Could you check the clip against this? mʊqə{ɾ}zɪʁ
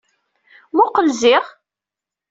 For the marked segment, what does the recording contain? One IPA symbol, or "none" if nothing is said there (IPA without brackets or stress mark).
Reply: l